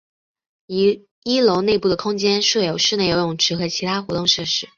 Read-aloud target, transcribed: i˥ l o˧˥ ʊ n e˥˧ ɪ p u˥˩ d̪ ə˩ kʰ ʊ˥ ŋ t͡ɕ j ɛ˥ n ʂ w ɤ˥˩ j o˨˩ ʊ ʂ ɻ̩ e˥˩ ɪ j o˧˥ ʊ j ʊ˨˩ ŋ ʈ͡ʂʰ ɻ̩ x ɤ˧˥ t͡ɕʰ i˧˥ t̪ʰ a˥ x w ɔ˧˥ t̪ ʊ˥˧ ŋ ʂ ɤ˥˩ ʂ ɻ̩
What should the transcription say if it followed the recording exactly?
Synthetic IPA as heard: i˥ l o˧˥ ʊ n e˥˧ ɪ p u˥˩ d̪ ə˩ kʰ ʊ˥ ŋ t͡ɕ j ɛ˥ n ʂ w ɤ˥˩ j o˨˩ ʊ ʂ ɻ̩ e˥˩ ɪ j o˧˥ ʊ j ʊ˨˩ ŋ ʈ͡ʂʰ ɻ̩ x ɤ˧˥ t͡ɕʰ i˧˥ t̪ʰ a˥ x w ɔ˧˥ t̪ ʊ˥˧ ŋ ʂ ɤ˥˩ ʂ ɻ̩